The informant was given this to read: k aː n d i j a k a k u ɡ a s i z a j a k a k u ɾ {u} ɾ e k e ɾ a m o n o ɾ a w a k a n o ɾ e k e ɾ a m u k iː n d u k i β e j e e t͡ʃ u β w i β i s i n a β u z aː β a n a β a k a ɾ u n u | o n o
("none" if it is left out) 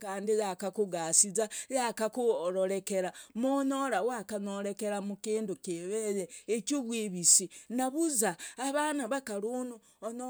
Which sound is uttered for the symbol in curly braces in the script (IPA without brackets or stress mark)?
o